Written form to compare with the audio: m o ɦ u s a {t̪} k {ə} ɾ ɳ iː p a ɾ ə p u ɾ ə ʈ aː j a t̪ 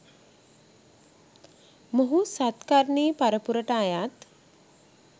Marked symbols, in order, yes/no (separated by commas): yes, no